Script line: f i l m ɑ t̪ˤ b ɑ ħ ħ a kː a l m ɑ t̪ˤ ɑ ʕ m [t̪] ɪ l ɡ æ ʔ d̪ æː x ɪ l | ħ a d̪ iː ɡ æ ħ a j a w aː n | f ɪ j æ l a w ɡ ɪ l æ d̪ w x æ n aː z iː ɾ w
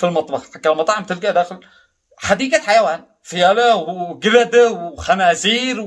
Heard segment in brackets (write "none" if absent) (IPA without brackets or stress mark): t̪